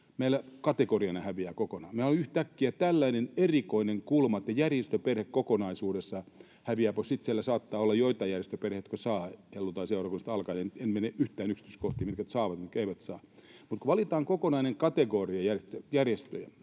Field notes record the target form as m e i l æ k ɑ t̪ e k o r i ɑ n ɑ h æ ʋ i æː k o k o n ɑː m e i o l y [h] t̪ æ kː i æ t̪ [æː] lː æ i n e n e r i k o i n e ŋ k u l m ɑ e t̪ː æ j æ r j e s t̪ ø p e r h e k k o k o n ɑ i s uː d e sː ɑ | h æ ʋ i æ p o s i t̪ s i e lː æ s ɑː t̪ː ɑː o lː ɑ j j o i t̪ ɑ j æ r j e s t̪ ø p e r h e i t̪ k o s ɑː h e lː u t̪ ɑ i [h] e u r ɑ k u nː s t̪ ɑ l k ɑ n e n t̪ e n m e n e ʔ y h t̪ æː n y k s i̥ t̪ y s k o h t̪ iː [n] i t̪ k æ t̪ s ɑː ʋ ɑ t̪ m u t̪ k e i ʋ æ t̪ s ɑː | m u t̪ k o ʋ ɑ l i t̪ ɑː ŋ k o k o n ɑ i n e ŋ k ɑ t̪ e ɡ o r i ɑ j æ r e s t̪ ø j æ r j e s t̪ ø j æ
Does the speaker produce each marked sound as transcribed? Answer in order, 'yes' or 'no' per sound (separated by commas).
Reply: yes, no, no, no